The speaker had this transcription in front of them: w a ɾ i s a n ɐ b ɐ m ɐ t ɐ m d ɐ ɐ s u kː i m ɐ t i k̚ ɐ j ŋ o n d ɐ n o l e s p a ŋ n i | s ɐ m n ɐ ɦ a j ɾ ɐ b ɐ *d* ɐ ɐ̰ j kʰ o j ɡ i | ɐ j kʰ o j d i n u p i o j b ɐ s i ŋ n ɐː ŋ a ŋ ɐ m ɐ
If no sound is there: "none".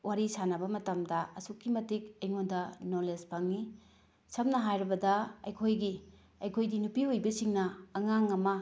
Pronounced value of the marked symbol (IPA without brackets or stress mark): d